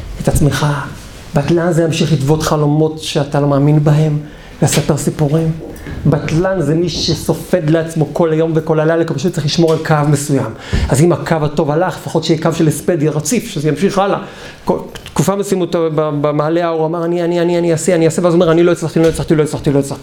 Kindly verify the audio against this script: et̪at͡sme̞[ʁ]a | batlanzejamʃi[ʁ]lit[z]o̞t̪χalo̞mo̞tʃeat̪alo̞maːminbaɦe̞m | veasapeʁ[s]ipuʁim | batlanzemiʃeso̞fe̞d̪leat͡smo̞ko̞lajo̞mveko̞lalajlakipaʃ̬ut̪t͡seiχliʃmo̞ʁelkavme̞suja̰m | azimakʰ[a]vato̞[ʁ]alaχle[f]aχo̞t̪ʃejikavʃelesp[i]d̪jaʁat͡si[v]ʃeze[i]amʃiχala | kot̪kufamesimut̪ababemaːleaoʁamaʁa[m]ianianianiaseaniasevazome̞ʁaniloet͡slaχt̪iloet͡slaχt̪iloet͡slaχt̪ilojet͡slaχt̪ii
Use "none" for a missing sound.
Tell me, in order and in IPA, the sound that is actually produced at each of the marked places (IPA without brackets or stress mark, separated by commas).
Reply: χ, χ, v, s, a, v, f, e, f, j, n